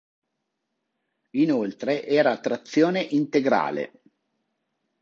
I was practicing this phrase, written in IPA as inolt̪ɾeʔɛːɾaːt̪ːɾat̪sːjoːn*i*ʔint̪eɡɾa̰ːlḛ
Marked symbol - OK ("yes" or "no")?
no